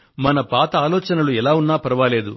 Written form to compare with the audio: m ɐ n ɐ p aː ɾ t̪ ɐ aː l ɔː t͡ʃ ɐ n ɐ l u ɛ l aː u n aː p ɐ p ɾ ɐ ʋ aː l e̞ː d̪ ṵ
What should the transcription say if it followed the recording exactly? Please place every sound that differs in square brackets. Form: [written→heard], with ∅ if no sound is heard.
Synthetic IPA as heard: m ɐ n ɐ p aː [ɾ→∅] t̪ ɐ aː l ɔː t͡ʃ ɐ n ɐ l u ɛ l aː u [n→nː] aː p ɐ [p→∅] ɾ ɐ ʋ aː l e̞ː d̪ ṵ